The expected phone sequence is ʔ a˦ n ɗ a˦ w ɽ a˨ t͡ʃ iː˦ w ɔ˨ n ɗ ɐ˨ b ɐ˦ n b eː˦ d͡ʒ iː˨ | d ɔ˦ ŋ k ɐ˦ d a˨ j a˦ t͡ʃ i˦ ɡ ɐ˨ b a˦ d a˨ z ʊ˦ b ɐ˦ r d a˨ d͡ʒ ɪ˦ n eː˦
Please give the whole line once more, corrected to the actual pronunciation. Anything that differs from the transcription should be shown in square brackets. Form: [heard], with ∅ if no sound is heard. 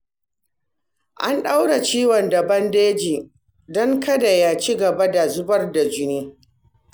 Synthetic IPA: ʔ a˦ n ɗ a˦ w ɽ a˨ t͡ʃ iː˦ w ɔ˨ n [d] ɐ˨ b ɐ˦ n [d] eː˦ d͡ʒ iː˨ | d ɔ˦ ŋ k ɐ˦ d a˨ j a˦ t͡ʃ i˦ ɡ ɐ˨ b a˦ d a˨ z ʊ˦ b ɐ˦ r d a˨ d͡ʒ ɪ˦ n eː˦